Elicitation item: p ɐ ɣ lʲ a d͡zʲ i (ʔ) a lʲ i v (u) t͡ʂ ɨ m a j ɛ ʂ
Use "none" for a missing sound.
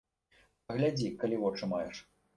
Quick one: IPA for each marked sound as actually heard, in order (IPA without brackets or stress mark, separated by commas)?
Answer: k, ɔ